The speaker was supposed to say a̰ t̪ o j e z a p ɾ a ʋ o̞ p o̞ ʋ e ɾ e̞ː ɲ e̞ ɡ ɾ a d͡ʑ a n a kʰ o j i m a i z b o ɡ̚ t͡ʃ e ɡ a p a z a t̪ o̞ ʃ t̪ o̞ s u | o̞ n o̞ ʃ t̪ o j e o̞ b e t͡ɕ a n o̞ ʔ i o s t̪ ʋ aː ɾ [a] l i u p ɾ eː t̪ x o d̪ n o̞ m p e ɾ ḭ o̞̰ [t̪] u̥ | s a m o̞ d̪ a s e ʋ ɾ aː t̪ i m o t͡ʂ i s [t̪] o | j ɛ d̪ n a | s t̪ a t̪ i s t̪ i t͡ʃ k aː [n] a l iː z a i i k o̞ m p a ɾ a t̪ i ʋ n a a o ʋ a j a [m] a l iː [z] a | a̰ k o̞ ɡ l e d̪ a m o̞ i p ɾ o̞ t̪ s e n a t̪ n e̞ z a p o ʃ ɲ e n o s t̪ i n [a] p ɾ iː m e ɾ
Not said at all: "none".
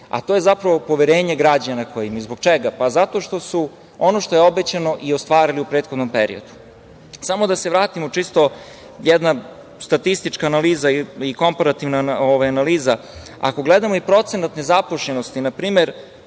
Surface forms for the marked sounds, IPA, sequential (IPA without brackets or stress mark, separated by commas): i, d̪, t̪, n, n, z, a